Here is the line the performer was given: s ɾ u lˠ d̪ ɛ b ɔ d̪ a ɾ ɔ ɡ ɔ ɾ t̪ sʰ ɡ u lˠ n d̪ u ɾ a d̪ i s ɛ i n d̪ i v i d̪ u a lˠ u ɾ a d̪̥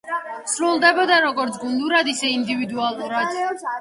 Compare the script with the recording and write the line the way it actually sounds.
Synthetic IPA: s ɾ u lˠ d̪ ɛ b ɔ d̪ a ɾ ɔ ɡ ɔ ɾ t̪ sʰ ɡ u n d̪ u ɾ a d̪ i s ɛ i n d̪ i v i d̪ u a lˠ u ɾ a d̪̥